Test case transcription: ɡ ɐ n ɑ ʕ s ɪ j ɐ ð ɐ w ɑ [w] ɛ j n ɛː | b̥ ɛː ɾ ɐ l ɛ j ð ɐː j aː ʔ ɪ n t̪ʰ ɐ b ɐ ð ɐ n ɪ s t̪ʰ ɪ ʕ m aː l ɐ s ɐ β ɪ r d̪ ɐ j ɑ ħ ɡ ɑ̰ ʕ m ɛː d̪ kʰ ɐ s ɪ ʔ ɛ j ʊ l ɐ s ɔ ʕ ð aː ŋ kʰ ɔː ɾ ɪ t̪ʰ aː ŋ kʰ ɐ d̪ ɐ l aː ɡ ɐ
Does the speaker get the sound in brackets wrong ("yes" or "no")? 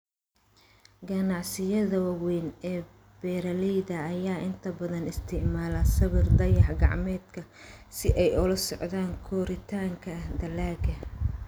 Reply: no